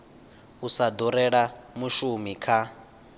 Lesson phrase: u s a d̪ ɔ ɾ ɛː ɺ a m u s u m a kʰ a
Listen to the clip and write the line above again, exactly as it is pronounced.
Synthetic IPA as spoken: u s a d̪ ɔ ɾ ɛ ɺ a m u ʃ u m i kʰ a